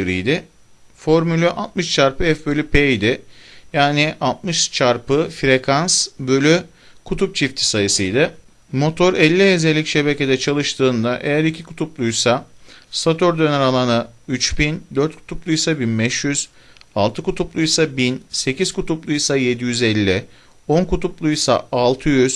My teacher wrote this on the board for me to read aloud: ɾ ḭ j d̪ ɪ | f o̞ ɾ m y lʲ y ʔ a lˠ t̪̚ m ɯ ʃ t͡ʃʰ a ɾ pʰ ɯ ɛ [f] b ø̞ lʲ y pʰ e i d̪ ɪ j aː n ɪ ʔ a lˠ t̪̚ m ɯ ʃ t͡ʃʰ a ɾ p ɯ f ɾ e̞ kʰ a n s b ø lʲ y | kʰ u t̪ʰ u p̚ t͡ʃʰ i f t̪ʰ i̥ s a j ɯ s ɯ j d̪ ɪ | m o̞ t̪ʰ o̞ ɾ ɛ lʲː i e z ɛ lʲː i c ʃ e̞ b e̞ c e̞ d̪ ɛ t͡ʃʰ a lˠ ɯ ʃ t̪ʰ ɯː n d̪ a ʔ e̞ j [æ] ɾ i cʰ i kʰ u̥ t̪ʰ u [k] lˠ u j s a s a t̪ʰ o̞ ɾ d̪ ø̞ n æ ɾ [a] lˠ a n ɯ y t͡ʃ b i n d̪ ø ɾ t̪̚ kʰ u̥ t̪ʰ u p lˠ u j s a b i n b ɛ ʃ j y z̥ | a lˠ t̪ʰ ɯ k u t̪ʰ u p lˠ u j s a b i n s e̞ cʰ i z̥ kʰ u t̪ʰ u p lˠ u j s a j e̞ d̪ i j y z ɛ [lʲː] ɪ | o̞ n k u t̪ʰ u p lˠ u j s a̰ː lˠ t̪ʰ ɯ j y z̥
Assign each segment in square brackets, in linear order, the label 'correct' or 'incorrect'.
correct, correct, incorrect: p, correct, correct

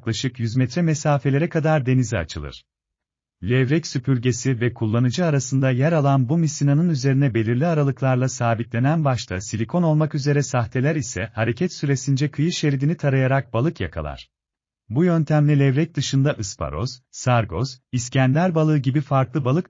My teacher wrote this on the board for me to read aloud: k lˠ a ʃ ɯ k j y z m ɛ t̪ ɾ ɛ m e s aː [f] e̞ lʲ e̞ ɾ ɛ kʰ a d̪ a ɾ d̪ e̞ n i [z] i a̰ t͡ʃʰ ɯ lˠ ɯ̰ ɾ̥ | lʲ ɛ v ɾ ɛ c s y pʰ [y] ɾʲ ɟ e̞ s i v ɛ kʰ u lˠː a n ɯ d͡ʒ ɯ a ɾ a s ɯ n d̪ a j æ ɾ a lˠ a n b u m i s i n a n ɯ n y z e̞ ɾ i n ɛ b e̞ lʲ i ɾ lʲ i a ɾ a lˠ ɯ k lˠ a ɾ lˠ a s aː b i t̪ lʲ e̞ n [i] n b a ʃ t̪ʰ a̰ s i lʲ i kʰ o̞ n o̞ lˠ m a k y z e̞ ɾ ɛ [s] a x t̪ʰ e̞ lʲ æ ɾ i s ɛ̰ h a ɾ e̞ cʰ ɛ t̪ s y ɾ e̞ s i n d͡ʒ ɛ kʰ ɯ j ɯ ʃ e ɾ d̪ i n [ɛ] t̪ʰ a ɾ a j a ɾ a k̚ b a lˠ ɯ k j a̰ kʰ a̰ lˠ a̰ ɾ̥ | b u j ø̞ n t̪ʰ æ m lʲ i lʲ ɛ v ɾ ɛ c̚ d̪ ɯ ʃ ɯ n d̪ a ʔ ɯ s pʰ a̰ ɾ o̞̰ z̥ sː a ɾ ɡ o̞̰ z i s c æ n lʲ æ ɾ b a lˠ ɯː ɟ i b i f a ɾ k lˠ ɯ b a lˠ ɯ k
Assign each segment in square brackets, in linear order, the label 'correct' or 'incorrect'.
correct, correct, correct, incorrect: æ, correct, incorrect: i

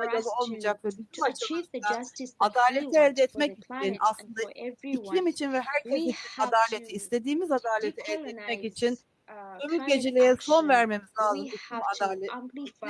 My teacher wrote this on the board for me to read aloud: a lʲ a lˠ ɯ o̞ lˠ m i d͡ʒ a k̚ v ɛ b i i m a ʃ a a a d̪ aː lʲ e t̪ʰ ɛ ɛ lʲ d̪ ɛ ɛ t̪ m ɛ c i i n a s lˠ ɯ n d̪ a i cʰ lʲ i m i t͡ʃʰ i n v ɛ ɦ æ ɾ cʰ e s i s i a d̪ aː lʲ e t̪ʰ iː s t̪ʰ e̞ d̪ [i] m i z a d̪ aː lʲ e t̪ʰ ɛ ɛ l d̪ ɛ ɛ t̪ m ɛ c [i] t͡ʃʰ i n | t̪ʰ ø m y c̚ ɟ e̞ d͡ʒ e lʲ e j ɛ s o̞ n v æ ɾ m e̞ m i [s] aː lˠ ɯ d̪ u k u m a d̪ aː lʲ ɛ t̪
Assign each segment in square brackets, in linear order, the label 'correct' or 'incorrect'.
incorrect: iː, correct, incorrect: z

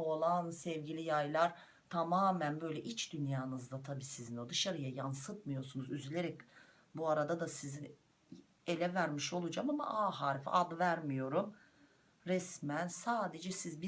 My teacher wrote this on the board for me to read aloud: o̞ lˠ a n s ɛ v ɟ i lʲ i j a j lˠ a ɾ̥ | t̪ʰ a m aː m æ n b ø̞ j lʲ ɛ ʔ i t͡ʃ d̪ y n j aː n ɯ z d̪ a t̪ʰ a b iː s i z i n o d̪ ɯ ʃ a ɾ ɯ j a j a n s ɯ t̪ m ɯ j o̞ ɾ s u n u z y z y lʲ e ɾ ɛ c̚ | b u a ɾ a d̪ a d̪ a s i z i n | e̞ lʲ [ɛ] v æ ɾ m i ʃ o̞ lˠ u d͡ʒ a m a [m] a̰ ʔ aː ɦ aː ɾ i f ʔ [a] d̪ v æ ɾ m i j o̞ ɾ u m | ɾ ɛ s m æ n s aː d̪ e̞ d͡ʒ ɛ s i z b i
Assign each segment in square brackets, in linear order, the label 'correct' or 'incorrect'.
correct, correct, correct

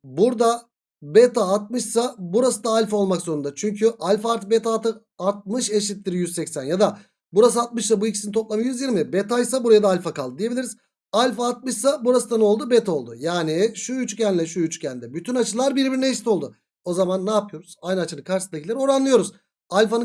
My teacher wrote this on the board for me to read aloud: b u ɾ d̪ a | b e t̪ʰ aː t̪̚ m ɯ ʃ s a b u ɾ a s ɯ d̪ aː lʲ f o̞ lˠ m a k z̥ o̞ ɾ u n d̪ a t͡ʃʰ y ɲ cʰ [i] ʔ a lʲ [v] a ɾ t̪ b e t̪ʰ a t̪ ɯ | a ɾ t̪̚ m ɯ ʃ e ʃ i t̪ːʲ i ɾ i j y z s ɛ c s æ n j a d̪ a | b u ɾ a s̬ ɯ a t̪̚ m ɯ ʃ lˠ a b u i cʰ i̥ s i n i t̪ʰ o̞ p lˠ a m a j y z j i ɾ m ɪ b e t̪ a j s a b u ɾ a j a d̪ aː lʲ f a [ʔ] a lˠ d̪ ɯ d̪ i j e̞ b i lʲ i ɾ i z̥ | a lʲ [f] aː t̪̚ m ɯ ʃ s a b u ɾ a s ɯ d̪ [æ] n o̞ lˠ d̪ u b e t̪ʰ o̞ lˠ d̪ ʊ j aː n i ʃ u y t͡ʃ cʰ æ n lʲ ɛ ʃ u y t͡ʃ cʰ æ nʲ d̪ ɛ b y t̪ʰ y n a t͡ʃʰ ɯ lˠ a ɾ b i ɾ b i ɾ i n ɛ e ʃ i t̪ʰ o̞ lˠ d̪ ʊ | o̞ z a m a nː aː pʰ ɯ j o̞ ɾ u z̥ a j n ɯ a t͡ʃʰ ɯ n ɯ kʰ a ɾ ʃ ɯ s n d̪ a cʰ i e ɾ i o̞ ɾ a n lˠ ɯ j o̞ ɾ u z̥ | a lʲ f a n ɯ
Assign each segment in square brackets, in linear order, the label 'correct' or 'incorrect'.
incorrect: y, incorrect: f, incorrect: k, correct, incorrect: a

